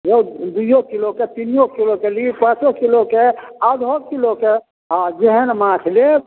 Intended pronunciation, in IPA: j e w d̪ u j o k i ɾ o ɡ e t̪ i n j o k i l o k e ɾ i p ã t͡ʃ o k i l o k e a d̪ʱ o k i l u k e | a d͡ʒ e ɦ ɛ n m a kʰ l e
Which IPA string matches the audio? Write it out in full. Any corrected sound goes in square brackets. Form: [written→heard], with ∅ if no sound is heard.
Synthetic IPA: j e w d̪ u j o k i [ɾ→l] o [ɡ→k] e t̪ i n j o k i l o k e [ɾ→l] i p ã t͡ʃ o k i l o k e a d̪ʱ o k i l [u→o] k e | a d͡ʒ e ɦ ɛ n m a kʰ l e